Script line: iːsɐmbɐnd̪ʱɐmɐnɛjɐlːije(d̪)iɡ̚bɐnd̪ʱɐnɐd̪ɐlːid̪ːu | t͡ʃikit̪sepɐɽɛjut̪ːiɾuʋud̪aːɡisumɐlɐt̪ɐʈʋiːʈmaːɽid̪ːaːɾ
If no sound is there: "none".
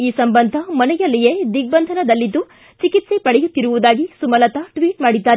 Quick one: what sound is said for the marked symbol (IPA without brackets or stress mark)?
d̪